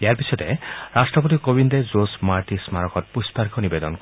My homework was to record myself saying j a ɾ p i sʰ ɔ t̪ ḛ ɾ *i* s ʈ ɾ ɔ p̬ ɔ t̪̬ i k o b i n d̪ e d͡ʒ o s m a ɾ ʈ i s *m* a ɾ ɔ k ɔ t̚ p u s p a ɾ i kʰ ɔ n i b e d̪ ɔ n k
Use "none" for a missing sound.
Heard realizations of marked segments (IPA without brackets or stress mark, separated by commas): a, m